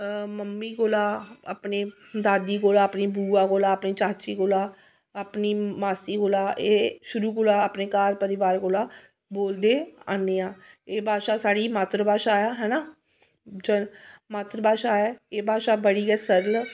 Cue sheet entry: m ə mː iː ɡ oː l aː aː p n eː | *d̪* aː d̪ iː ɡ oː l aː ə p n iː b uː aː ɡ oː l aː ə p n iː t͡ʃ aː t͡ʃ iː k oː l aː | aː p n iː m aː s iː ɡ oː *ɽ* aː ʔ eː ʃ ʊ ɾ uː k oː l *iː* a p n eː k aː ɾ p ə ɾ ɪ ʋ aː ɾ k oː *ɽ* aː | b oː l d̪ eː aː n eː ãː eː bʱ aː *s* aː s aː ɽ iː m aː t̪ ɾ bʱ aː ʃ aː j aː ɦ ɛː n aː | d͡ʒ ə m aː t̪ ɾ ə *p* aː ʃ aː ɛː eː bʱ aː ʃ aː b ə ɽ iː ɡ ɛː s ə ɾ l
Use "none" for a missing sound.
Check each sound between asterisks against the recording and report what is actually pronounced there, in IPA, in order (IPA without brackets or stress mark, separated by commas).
d̪, l, aː, l, ʃ, b